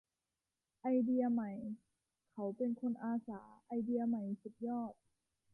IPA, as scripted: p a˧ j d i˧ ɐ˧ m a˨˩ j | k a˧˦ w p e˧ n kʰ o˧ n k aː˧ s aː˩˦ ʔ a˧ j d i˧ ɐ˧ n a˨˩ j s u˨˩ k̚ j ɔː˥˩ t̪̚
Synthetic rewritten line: ʔ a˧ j d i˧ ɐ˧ m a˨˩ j | kʰ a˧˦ w p e˧ n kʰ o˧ n ʔ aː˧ s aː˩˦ ʔ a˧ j d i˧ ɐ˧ m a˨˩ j s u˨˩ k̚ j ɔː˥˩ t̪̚